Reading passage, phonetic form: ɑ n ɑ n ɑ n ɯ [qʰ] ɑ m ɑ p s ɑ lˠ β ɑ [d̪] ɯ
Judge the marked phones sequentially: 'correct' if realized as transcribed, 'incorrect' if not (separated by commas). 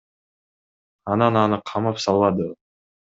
correct, correct